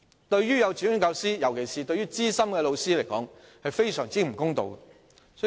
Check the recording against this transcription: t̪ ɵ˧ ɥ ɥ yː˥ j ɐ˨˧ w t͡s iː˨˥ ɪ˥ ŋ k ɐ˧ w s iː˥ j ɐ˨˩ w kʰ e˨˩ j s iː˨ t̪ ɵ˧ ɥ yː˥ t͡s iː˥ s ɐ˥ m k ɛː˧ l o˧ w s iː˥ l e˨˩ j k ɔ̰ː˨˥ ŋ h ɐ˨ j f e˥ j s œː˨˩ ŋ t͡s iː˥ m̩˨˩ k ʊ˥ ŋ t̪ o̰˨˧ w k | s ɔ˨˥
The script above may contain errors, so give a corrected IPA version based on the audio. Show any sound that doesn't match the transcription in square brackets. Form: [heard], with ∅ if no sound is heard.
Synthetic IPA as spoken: t̪ ɵ˧ ɥ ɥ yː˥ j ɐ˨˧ w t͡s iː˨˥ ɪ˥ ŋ k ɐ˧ w s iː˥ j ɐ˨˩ w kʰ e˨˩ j s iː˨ t̪ ɵ˧ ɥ yː˥ t͡s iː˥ s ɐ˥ m k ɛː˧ l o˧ w s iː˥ l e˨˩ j k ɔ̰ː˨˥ ŋ h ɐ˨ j f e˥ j s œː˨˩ ŋ t͡s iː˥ m̩˨˩ k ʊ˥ ŋ t̪ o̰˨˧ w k | s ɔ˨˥